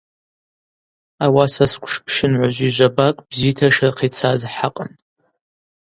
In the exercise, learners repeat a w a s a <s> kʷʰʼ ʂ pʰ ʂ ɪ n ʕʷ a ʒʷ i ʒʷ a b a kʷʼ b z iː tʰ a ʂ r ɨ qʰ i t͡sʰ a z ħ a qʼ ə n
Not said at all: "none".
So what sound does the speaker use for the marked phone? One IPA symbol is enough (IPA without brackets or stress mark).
s